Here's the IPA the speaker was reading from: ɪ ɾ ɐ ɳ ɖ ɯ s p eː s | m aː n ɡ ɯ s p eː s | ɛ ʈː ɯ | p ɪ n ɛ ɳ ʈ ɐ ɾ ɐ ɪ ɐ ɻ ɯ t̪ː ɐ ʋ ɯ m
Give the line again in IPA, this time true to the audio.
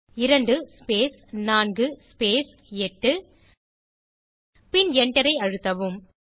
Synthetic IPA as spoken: ɪ ɾ ɐ ɳ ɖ ɯ s p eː s | n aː n ɡ ɯ s p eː s | ɛ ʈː ɯ | p ɪ n ɛ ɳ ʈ ɐ ɾ ɐ ɪ ɐ ɻ ɯ t̪ː ɐ ʋ ɯ m